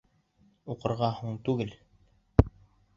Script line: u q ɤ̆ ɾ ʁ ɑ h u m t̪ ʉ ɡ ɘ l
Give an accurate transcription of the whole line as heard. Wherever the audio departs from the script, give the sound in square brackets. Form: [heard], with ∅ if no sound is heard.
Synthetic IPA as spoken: u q ɤ̆ ɾ ʁ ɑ h u [ɴ] t̪ ʉ ɡ ɘ l